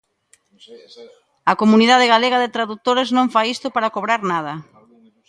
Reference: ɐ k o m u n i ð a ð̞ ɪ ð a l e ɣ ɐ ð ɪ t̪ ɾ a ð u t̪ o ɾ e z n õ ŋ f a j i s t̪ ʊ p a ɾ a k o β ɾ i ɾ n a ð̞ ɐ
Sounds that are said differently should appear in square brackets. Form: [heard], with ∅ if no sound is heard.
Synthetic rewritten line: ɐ k o m u n i ð a ð̞ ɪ [ɣ] a l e ɣ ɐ ð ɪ t̪ ɾ a ð u t̪ o ɾ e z n õ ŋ f a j i s t̪ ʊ p a ɾ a k o β ɾ [a] ɾ n a ð̞ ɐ